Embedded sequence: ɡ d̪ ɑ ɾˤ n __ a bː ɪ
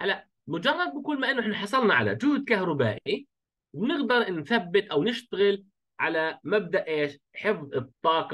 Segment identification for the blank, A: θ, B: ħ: A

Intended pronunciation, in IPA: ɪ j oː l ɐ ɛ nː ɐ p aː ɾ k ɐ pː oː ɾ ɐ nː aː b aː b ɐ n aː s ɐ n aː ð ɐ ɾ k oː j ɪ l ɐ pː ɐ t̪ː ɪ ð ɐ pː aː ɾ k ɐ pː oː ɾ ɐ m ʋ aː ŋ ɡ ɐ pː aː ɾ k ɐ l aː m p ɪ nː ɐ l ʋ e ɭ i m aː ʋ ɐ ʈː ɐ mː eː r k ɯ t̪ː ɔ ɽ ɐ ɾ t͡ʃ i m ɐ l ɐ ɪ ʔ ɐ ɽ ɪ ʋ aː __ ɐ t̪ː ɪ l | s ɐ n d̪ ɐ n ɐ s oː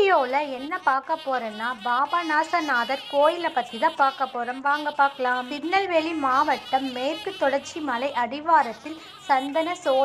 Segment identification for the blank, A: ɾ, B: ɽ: A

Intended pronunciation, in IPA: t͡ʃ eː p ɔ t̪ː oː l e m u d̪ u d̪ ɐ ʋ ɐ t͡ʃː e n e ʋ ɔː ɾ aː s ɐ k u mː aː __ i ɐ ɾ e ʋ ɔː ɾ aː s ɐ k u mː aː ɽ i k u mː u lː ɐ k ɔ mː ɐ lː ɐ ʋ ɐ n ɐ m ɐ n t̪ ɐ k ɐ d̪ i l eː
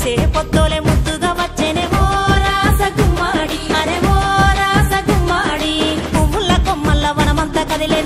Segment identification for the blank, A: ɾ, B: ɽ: B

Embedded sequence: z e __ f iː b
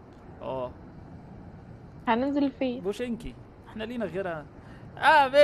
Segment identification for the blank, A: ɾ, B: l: B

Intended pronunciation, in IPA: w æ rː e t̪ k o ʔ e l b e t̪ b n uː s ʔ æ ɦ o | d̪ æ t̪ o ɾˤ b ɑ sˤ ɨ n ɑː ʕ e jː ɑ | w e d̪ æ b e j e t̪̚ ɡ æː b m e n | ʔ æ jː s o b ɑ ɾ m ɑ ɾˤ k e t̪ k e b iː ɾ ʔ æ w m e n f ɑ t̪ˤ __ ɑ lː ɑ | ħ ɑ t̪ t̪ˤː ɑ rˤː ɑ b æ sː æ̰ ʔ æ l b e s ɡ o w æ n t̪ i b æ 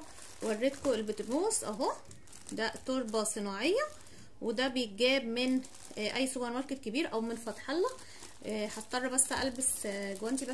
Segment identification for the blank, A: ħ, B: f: A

